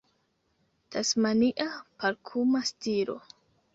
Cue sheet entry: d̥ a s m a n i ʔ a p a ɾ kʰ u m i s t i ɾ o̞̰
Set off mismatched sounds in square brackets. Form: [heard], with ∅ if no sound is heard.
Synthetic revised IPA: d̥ a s m a n i ʔ a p a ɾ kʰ u m [a] s t i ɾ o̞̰